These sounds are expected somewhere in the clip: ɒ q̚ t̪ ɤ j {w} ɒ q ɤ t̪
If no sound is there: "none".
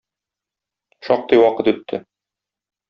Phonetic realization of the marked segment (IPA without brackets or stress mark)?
w